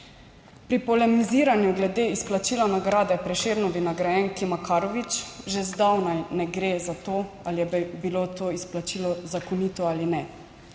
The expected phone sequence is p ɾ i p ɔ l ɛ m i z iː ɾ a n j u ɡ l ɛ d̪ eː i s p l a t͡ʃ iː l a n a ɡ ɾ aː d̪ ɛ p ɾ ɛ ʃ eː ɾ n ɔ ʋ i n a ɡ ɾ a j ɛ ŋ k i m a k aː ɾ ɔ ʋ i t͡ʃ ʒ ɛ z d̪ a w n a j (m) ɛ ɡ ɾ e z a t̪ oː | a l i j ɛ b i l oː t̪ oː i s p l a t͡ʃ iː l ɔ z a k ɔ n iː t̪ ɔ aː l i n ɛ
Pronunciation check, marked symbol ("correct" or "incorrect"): incorrect